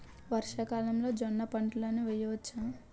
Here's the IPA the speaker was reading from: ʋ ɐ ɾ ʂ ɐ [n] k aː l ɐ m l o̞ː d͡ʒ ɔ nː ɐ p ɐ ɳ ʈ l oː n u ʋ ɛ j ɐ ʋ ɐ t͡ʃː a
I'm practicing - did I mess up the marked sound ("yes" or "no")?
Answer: yes